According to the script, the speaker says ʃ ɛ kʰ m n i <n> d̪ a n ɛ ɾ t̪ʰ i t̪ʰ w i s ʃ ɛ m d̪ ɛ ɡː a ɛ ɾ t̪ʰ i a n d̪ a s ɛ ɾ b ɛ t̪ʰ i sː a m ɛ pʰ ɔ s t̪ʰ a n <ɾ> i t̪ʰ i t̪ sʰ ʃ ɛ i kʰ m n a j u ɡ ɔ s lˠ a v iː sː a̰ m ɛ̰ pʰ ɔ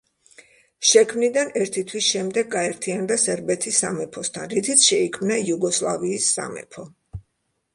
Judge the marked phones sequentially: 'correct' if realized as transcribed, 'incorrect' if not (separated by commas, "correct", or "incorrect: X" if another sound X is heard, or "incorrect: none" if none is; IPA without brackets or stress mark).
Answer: incorrect: none, correct